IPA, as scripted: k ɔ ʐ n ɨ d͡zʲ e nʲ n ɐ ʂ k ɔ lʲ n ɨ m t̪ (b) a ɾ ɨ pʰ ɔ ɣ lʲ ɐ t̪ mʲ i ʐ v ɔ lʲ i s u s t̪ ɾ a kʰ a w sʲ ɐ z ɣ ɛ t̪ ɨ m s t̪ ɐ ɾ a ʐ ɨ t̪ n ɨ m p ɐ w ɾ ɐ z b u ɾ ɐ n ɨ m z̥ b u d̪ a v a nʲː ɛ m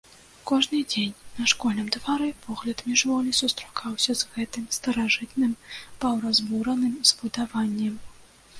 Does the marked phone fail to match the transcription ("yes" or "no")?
yes